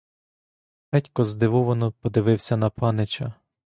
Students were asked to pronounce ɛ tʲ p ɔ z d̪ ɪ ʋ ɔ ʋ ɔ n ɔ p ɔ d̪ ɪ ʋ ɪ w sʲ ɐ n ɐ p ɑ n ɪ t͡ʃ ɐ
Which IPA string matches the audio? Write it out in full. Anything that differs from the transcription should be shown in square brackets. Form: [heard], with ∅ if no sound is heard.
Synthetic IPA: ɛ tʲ [k] ɔ z d̪ ɪ ʋ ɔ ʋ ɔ n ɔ p ɔ d̪ ɪ ʋ ɪ w sʲ ɐ n ɐ p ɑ n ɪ t͡ʃ ɐ